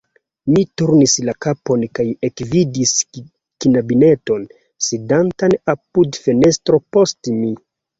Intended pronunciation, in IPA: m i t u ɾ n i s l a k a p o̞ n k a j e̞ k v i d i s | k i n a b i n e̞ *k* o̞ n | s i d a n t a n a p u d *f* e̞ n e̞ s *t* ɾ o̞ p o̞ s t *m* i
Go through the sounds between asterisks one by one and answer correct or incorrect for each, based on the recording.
incorrect, correct, correct, correct

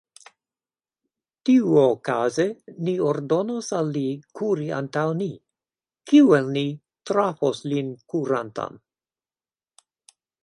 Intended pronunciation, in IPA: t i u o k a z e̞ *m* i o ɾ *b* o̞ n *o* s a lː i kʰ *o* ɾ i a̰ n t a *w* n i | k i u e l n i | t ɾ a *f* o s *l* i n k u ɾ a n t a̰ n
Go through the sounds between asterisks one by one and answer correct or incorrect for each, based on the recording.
incorrect, incorrect, correct, incorrect, correct, correct, correct

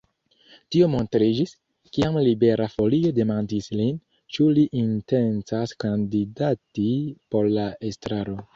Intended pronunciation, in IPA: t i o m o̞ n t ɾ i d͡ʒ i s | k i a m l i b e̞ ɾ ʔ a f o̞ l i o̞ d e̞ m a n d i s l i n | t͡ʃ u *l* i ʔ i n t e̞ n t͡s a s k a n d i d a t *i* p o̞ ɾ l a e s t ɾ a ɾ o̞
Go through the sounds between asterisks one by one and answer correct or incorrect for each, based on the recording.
correct, correct

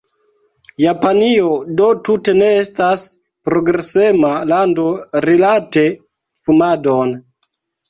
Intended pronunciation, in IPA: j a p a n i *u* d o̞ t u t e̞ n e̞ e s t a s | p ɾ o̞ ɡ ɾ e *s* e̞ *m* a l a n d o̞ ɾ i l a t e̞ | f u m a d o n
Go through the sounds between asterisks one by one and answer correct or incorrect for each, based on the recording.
incorrect, correct, correct

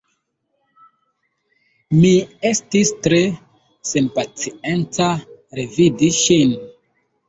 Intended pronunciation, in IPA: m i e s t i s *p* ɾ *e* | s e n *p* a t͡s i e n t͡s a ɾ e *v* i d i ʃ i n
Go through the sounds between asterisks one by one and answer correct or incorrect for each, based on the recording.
incorrect, correct, correct, correct

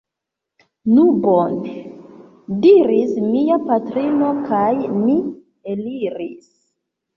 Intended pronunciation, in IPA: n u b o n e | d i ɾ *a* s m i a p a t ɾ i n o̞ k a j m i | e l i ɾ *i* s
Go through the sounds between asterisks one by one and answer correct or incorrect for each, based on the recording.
incorrect, correct

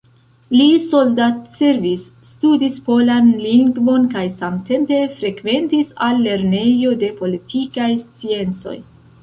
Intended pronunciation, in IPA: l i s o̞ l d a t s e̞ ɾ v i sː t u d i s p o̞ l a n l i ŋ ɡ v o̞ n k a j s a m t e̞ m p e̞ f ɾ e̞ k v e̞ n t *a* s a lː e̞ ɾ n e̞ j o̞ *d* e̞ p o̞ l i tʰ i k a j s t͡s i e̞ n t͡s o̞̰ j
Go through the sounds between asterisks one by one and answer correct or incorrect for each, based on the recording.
incorrect, correct

